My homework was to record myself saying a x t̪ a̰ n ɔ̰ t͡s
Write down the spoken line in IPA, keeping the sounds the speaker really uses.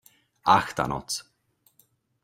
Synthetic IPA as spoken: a x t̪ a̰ n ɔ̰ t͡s